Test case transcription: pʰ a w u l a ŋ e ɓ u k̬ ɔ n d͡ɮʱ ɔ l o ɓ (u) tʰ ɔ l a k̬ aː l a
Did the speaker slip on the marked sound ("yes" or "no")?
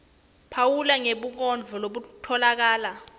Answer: no